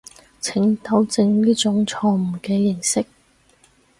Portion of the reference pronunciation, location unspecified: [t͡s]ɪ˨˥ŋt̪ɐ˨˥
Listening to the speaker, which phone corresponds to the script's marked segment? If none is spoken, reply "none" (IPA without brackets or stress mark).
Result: t͡sʰ